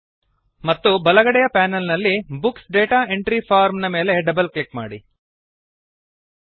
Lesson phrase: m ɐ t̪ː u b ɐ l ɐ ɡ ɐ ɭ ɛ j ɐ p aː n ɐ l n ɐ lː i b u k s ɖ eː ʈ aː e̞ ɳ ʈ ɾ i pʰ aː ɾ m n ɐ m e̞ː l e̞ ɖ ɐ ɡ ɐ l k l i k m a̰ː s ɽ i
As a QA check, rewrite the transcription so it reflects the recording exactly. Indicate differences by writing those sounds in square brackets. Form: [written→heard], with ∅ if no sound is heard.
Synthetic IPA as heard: m ɐ t̪ː u b ɐ l ɐ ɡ ɐ [ɭ→ɽ] ɛ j ɐ p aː n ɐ l n ɐ lː i b u k s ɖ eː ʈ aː e̞ ɳ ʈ ɾ i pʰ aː ɾ m n ɐ m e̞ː l e̞ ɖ ɐ [ɡ→b] ɐ l k l i k m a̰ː [s→∅] ɽ i